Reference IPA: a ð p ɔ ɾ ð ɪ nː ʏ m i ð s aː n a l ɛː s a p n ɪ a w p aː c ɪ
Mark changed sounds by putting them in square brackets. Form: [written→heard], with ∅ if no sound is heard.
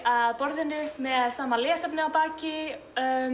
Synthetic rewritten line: a ð p ɔ ɾ ð ɪ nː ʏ m [i→ɛ] ð s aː [n→m] a l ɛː s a p n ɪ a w p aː c ɪ